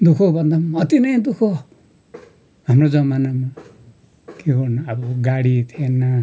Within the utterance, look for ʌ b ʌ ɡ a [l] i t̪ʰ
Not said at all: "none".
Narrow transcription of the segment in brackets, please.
ɽ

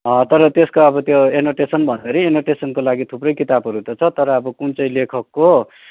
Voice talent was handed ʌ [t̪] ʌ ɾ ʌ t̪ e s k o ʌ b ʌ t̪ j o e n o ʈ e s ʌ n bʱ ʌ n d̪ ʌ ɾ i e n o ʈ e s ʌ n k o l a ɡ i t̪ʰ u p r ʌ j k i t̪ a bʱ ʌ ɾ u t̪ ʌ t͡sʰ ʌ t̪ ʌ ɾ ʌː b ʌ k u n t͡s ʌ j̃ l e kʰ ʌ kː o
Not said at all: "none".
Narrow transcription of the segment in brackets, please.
t̪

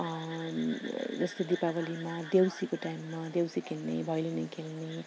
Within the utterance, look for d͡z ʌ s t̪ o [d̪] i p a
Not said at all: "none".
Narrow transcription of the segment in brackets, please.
d̪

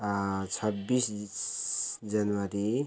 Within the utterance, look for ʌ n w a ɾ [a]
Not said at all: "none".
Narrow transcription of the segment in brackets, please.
i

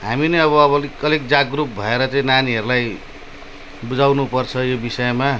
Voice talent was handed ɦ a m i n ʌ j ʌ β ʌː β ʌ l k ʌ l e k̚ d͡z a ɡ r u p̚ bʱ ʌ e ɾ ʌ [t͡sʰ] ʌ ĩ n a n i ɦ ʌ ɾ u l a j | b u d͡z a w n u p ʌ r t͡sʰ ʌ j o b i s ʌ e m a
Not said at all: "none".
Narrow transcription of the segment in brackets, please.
t͡s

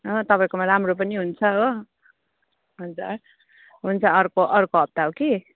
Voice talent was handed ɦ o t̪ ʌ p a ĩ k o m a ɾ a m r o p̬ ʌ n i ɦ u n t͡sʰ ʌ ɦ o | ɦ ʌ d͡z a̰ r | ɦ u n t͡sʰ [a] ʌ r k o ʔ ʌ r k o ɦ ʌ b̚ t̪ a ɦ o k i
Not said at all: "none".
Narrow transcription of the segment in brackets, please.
ʌ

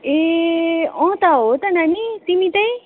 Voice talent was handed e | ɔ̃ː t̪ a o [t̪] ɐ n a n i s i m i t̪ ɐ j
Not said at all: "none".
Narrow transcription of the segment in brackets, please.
t̪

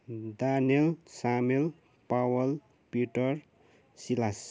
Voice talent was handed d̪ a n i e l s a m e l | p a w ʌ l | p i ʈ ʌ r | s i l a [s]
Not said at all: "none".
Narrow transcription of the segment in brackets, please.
s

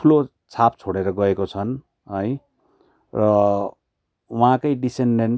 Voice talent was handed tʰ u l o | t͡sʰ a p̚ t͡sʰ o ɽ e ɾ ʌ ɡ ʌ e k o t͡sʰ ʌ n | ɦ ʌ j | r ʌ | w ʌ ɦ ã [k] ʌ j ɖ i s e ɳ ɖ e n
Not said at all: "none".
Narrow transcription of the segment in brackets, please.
k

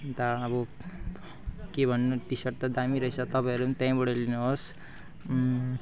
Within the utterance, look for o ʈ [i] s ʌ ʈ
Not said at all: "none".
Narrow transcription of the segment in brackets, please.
i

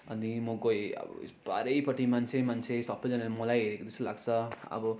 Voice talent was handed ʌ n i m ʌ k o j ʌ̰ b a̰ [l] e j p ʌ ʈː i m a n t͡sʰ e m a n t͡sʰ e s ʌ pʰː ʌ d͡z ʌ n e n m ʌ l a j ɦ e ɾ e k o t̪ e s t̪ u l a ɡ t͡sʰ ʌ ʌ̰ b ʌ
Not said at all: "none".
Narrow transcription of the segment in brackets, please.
ɾ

